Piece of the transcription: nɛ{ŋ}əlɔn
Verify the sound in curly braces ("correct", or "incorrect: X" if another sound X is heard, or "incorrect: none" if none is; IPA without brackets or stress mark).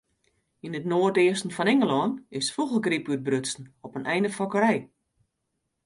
correct